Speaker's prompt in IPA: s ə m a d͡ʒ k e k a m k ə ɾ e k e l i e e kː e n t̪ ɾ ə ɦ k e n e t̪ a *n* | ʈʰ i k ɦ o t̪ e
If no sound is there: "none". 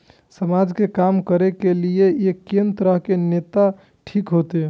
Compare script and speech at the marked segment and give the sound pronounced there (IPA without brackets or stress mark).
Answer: none